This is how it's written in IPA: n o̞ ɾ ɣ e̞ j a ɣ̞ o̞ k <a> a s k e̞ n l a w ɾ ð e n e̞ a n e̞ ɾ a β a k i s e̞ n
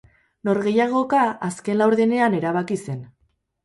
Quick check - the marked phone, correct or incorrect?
correct